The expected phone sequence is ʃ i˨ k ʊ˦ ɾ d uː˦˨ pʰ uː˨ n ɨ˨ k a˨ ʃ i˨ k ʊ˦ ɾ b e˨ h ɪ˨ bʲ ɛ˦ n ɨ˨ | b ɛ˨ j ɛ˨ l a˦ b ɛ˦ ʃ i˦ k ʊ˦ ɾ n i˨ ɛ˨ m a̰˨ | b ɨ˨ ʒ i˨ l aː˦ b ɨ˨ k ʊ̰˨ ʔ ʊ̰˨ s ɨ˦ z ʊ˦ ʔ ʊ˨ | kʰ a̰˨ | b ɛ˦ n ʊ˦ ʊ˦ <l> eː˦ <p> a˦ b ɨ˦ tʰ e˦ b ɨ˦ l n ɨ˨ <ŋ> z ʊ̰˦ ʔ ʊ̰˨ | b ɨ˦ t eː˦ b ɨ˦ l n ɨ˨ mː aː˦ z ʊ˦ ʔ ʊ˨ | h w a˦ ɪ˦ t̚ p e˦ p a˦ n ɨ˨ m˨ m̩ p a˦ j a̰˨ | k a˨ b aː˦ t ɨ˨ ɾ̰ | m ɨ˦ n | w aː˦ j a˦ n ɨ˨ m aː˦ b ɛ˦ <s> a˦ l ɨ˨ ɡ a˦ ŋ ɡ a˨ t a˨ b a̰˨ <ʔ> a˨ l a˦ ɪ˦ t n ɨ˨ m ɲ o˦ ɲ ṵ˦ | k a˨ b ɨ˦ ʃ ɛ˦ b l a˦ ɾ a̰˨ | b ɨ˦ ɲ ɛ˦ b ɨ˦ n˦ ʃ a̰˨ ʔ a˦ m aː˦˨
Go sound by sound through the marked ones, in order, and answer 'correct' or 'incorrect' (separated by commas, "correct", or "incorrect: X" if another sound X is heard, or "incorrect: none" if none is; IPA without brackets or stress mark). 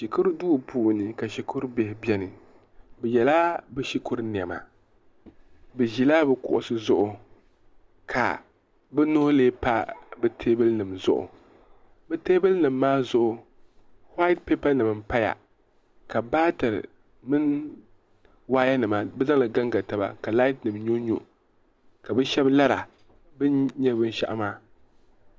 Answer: correct, correct, incorrect: m, incorrect: z, incorrect: k